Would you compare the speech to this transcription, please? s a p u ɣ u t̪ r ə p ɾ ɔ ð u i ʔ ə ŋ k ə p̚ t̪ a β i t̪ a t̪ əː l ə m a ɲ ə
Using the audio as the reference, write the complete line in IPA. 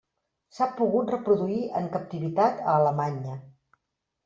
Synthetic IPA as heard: s a p u ɣ u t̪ r ə p ɾ u ð u i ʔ ə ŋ k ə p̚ t̪ i β i t̪ a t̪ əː l ə m a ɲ ə